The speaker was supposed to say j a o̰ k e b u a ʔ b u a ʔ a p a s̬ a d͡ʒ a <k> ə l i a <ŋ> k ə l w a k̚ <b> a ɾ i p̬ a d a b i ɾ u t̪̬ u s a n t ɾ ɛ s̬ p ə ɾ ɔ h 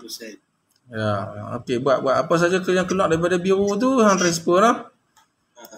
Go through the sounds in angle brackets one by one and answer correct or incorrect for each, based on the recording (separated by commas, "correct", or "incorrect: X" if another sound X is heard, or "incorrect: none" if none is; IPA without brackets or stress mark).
correct, correct, incorrect: d